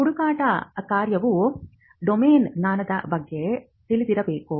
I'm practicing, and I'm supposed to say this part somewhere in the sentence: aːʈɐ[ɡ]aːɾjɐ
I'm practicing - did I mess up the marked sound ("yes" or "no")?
yes